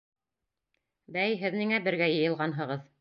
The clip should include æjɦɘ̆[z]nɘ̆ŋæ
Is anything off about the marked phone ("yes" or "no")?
yes